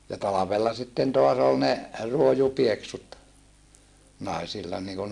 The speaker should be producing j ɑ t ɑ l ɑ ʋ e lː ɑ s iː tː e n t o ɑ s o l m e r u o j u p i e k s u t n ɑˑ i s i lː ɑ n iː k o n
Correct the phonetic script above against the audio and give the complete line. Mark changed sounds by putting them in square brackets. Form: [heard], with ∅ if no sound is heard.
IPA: j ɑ t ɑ l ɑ ʋ e lː ɑ s [i] tː e n t o ɑ s o l [n] e r u o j u p i e k s u t n ɑˑ i s i lː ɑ n iː k [u] n